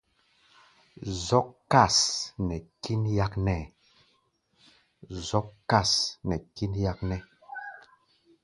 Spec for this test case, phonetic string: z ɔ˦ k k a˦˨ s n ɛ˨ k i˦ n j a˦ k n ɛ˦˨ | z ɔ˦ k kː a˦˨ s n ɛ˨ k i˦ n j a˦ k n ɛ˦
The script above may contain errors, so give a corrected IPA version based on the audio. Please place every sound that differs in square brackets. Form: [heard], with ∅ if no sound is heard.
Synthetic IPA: z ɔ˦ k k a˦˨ s n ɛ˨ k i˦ n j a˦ k n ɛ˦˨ | z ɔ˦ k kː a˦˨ s n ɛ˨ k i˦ n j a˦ k n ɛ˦